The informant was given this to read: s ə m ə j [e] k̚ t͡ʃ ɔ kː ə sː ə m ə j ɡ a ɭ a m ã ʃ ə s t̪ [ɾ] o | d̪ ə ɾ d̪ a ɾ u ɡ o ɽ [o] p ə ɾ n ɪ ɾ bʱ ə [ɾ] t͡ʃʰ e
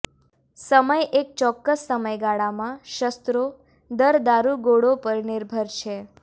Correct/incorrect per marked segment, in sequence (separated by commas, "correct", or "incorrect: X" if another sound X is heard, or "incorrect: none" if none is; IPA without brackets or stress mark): correct, correct, correct, correct